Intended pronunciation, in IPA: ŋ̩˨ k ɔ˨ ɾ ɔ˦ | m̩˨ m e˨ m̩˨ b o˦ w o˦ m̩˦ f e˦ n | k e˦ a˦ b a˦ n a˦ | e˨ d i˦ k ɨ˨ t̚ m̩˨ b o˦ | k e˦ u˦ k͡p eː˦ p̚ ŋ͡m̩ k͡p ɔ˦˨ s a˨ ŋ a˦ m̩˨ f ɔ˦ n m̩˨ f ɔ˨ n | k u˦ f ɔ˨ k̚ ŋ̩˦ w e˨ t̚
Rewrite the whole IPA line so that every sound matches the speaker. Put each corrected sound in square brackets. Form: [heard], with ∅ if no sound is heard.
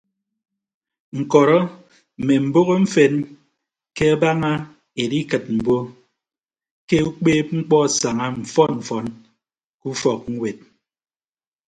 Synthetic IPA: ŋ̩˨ k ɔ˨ ɾ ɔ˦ | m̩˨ m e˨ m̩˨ b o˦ [ɣ] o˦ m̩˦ f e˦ n | k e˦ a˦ b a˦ [ŋ] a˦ | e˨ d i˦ k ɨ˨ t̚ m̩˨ b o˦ | k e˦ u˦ k͡p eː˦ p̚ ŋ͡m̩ k͡p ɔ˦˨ s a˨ ŋ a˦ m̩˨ f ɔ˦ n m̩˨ f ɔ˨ n | k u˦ f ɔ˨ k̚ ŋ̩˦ w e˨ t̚

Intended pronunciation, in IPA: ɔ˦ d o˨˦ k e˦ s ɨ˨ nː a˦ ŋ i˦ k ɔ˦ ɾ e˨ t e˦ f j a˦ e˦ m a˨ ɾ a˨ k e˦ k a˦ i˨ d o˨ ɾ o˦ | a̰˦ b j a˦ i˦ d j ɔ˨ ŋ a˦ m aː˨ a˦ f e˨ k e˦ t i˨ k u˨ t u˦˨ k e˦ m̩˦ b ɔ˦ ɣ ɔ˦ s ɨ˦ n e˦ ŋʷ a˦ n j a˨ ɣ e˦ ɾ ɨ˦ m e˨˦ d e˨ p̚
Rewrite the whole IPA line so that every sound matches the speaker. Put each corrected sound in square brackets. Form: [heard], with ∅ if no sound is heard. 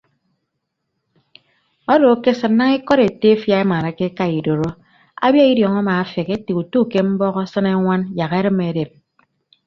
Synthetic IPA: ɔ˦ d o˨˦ k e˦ s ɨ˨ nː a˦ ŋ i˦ k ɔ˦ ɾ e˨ t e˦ f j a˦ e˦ m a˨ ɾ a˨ k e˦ k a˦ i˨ d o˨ ɾ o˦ | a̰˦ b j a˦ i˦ d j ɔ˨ ŋ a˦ m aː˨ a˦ f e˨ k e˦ t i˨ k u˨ t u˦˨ k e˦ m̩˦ b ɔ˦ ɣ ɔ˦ s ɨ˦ n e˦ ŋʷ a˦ n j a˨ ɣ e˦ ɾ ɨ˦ m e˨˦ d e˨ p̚

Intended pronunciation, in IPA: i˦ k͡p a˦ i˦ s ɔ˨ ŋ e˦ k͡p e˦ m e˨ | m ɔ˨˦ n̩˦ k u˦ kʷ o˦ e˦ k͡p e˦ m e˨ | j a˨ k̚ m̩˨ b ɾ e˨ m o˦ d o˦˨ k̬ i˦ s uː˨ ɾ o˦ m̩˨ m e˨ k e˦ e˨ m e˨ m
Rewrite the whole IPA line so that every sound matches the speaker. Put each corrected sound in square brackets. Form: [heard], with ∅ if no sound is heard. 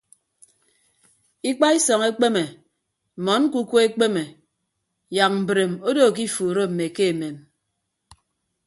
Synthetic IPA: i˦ k͡p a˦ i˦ s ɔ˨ ŋ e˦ k͡p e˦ m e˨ | m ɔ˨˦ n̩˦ k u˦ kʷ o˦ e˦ k͡p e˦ m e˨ | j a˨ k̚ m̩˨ b ɾ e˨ m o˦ d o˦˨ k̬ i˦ [f] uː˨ ɾ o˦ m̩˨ m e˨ k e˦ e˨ m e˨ m

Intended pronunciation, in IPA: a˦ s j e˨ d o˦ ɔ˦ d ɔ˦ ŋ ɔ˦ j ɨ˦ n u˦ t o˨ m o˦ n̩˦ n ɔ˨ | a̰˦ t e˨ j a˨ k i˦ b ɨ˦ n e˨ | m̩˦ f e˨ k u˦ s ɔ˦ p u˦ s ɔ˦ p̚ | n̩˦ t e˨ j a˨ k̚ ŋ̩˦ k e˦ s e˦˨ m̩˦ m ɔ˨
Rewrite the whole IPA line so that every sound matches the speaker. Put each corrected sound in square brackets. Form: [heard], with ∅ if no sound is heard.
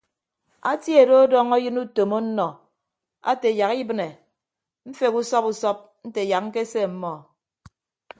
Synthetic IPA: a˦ [t] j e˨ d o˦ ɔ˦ d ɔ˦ ŋ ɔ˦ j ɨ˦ n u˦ t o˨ m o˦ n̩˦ n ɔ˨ | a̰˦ t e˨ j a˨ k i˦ b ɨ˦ n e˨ | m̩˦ f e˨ k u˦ s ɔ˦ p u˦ s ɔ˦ p̚ | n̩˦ t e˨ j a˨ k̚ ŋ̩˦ k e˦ s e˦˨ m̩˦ m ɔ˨

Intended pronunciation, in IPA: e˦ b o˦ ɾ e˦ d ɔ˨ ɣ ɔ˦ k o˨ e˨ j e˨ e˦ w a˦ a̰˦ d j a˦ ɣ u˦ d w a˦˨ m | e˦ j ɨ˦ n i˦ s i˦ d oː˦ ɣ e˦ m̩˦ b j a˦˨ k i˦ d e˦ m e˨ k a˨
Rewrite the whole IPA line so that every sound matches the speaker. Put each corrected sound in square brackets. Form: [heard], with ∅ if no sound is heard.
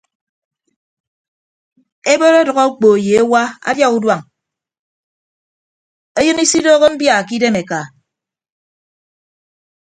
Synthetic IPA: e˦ b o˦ ɾ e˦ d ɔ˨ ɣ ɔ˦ [k͡p] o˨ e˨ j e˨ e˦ w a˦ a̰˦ d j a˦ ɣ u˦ d w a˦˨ [ŋ] | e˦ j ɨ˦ n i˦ s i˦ d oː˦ ɣ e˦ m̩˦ b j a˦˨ k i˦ d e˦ m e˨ k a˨

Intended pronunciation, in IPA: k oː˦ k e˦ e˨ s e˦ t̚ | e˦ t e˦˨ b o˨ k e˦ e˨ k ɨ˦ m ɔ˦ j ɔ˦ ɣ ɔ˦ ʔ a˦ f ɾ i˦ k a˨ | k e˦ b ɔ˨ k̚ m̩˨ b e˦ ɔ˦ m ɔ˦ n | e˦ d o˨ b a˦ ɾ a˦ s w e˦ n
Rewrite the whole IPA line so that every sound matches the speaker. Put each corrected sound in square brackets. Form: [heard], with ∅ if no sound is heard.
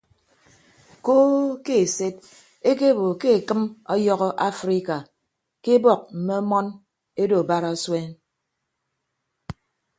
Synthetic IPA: k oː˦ k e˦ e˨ s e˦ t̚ | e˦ [k] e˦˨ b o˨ k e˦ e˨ k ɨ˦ m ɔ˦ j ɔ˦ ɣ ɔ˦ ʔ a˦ f ɾ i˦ k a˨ | k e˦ b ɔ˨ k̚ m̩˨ [m] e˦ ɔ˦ m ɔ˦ n | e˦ d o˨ b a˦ ɾ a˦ s w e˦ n

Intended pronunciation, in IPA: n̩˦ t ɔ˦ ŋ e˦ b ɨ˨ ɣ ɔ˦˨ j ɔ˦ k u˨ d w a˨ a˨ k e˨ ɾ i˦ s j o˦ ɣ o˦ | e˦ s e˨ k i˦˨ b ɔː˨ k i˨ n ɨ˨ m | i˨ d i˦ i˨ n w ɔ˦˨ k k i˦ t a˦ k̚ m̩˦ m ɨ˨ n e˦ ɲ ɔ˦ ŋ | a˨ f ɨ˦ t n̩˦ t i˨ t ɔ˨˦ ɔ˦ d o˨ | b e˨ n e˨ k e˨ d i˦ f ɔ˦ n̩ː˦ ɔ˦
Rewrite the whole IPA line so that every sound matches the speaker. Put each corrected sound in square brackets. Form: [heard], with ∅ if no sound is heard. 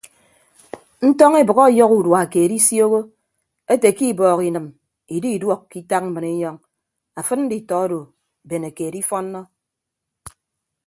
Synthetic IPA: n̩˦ t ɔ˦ ŋ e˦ b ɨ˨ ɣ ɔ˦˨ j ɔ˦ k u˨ d w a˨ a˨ k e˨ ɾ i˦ s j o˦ ɣ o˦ | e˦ [t] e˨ k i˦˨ b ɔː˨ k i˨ n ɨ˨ m | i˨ d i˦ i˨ [d] w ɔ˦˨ k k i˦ t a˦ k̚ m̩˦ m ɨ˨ n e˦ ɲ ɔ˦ ŋ | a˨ f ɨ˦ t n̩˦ [d] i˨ t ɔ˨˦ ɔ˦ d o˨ | b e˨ n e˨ k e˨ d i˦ f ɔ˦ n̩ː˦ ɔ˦

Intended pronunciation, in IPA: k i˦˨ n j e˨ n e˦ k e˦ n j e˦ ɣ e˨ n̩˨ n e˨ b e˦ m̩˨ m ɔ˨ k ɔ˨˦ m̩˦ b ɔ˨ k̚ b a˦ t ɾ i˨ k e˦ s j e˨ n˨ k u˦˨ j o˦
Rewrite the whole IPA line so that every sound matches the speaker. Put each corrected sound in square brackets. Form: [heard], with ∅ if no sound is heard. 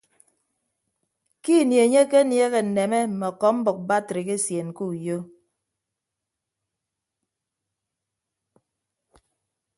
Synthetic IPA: k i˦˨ n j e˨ [ɲ] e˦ k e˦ n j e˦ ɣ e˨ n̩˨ n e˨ [m] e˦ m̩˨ m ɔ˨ k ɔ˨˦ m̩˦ b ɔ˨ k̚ b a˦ t ɾ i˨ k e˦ s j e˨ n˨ k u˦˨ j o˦

